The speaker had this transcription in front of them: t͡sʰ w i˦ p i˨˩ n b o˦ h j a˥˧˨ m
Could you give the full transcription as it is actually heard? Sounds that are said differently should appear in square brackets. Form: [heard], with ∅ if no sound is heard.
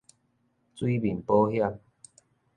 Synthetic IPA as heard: [t͡s] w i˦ [b] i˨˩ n [p] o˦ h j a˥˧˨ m